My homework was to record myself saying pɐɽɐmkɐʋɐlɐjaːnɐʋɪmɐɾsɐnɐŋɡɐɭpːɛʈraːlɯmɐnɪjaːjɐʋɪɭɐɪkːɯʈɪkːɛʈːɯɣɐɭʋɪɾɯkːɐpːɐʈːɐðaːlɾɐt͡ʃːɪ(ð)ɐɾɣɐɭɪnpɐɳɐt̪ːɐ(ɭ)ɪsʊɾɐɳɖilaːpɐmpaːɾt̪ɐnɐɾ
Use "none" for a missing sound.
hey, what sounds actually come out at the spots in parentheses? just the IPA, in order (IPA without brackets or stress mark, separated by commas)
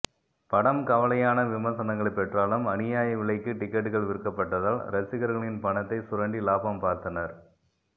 ɣ, none